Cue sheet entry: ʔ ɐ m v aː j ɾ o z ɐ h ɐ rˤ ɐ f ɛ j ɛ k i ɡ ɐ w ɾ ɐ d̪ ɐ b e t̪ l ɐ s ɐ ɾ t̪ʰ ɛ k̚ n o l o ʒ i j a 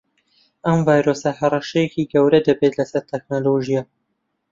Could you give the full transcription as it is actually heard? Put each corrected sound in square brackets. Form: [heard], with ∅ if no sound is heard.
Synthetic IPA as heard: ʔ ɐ m v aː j ɾ o [s] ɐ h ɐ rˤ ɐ [ʃ] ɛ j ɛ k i ɡ ɐ w ɾ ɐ d̪ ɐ b e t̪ l ɐ s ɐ ɾ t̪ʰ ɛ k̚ n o l o ʒ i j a